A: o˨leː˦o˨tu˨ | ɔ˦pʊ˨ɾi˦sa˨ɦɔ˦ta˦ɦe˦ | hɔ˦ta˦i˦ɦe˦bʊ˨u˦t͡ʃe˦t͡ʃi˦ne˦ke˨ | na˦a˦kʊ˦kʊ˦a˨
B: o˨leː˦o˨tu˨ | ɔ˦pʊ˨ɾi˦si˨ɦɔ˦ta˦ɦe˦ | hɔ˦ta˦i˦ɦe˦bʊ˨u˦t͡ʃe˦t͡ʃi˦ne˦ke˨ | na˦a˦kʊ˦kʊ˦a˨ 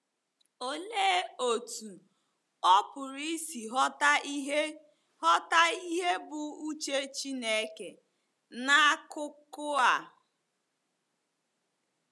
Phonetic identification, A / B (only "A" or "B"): B